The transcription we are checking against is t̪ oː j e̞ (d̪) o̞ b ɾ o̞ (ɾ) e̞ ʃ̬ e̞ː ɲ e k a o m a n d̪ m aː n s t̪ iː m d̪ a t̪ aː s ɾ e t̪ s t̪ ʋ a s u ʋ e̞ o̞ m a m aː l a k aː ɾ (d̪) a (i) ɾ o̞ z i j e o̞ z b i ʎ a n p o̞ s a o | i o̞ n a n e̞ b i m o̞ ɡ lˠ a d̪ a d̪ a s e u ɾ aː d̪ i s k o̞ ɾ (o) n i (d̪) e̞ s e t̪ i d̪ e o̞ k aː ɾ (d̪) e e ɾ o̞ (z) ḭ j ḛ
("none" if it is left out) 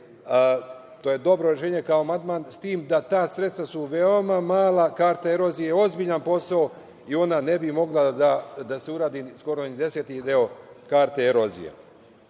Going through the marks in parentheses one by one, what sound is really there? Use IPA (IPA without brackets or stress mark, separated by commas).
d̪, ɾ, t̪, e, o, d̪, t̪, z